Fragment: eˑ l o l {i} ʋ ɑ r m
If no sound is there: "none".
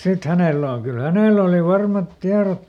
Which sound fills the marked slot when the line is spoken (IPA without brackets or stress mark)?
i